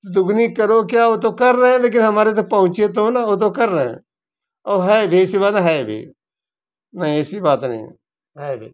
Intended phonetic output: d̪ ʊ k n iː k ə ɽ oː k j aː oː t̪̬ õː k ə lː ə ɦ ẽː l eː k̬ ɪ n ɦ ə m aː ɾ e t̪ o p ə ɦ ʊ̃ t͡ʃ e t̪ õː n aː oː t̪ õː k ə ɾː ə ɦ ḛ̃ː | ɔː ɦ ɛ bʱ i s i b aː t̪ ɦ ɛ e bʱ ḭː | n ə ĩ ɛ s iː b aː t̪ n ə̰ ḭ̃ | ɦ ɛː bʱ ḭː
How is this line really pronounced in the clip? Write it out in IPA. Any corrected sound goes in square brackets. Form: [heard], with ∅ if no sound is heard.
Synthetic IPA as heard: d̪ ʊ [ɡ] n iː k ə [ɾ] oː k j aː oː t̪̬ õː k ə [ɾː] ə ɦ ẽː l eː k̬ ɪ n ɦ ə m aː ɾ e t̪ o p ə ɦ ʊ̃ t͡ʃ e t̪ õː n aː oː t̪ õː k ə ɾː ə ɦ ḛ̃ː | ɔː ɦ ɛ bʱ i s i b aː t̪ ɦ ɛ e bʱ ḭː | n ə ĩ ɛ s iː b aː t̪ n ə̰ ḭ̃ | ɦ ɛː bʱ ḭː

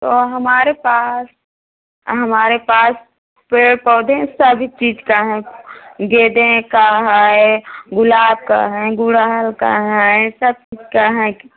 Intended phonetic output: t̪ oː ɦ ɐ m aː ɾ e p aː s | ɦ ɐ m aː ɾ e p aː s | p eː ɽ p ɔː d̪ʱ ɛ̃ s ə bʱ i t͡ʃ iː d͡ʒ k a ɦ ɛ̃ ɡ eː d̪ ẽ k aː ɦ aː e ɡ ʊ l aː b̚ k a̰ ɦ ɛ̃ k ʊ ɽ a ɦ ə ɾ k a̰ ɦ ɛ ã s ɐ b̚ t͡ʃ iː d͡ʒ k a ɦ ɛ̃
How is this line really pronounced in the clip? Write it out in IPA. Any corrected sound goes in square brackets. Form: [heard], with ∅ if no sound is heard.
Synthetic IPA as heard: t̪ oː ɦ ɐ m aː ɾ e p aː s | ɦ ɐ m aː ɾ e p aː s | p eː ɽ p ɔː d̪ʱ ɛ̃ s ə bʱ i t͡ʃ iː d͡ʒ k a ɦ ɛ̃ ɡ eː d̪ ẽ k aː ɦ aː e ɡ ʊ l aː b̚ k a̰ ɦ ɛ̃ [ɡ] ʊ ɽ a ɦ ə [l] k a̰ ɦ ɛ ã s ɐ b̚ t͡ʃ iː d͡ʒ k a ɦ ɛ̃

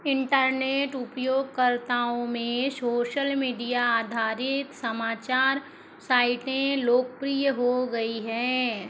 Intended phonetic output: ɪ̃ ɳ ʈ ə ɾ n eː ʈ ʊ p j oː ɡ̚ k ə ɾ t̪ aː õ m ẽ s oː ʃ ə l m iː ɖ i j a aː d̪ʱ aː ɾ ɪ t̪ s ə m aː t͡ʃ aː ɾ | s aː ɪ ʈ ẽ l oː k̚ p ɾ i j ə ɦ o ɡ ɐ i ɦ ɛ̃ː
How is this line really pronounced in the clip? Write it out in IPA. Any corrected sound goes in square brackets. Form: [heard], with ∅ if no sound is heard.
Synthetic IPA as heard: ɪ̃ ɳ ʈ ə ɾ n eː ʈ ʊ p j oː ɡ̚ k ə ɾ t̪ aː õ m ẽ s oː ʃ ə l m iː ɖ i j a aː d̪ʱ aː ɾ ɪ t̪ s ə m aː t͡ʃ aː ɾ | s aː ɪ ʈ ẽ l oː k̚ p ɾ i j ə ɦ o ɡ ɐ i ɦ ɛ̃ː

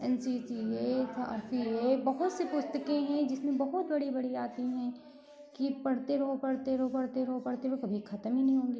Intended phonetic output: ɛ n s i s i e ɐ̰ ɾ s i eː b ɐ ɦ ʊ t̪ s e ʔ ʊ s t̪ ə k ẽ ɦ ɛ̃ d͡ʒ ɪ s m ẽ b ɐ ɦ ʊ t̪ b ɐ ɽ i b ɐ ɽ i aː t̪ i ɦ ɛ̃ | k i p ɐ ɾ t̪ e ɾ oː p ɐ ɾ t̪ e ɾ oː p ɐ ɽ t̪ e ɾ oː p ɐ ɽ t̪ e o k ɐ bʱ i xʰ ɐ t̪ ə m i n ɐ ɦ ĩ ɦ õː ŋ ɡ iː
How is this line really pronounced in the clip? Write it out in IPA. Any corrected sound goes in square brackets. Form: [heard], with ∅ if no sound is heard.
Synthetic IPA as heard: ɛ n s i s i e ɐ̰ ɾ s i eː b ɐ ɦ ʊ t̪ s e [p] ʊ s t̪ ə k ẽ ɦ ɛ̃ d͡ʒ ɪ s m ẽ b ɐ ɦ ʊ t̪ b ɐ ɽ i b ɐ ɽ i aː t̪ i ɦ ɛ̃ | k i p ɐ [ɽ] t̪ e ɾ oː p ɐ [ɽ] t̪ e ɾ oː p ɐ ɽ t̪ e ɾ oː p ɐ ɽ t̪ e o k ɐ bʱ i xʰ ɐ t̪ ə m i n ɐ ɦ ĩ ɦ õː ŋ ɡ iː

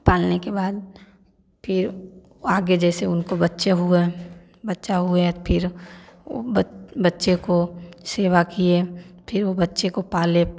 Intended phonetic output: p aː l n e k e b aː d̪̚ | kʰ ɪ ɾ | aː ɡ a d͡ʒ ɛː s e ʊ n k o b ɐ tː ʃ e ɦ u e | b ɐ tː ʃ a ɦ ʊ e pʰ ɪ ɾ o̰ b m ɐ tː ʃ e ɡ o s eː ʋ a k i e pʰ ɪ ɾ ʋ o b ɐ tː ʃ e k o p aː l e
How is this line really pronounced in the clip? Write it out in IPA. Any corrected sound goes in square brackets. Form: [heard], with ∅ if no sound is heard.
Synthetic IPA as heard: p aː l n e k e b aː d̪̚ | [pʰ] ɪ ɾ | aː ɡ [e] d͡ʒ ɛː s e ʊ n k o b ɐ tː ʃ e ɦ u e | b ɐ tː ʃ a ɦ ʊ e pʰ ɪ ɾ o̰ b [b] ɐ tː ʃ e [k] o s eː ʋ a k i e pʰ ɪ ɾ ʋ o b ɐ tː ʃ e k o p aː l e

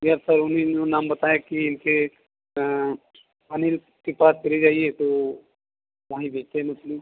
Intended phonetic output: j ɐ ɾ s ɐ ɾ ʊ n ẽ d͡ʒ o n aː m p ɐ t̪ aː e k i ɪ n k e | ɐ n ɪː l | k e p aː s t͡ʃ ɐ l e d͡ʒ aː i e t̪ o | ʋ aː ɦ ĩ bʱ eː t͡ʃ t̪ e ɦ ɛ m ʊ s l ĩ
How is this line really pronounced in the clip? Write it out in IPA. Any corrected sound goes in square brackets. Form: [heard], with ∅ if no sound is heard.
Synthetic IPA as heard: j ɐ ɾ s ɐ ɾ ʊ n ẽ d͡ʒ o n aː m [b] ɐ t̪ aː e k i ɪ n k e | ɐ n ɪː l | k e p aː s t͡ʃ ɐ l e d͡ʒ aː i e t̪ o | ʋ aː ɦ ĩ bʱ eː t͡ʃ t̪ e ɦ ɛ m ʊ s l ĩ

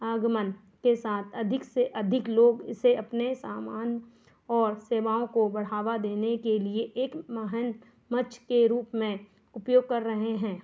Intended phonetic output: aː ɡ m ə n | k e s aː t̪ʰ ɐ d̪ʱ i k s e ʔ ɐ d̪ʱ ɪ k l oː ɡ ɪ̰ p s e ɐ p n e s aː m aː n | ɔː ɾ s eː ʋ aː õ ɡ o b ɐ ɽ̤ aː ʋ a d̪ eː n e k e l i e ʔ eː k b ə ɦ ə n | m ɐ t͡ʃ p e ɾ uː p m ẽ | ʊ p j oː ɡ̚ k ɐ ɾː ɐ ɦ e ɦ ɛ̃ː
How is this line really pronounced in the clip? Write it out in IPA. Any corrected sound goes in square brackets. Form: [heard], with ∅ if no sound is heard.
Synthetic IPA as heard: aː ɡ m ə n | k e s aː t̪ʰ ɐ d̪ʱ [ɪ] k s e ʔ ɐ d̪ʱ ɪ k l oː ɡ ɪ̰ [∅] s e ɐ p n e s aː m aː n | ɔː ɾ s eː ʋ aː õ [k] o b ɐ ɽ̤ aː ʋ a d̪ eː n e k e l i e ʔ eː k [m] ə ɦ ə n | m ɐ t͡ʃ [k] e ɾ uː p m ẽ | ʊ p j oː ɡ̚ k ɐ ɾː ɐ ɦ e ɦ ɛ̃ː

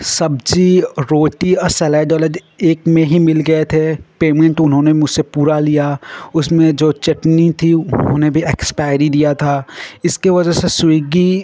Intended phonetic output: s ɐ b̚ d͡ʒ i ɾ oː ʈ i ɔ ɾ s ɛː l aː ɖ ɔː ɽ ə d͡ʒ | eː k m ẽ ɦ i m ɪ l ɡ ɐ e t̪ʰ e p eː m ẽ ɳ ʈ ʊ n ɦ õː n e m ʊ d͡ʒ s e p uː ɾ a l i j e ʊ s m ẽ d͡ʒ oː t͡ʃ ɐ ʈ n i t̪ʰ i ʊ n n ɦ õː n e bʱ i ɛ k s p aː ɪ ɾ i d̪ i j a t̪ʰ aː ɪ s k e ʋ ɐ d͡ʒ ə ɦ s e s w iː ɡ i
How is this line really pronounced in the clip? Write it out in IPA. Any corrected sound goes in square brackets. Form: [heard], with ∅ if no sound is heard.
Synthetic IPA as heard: s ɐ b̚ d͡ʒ i ɾ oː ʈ i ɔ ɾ s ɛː l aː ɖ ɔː [l] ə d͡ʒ | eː k m ẽ ɦ i m ɪ l ɡ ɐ e t̪ʰ e p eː m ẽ ɳ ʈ ʊ n ɦ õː n e m ʊ d͡ʒ s e p uː ɾ a l i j [a] ʊ s m ẽ d͡ʒ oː t͡ʃ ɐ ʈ n i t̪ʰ i ʊ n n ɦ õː n e bʱ i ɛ k s p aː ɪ ɾ i d̪ i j a t̪ʰ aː ɪ s k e ʋ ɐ d͡ʒ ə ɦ s e s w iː ɡ i

